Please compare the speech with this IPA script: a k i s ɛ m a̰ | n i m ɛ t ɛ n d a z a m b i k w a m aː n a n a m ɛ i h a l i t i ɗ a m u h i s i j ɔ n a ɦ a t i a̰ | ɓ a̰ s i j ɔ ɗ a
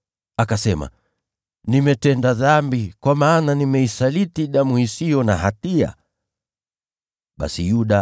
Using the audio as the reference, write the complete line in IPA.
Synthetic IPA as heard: a k a s ɛ m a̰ | n i m ɛ t ɛ n d a ð a m b i k w a m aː n a n i m ɛ i s a l i t i ɗ a m u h i s i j ɔ n a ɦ a t i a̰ | ɓ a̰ s i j u ɗ a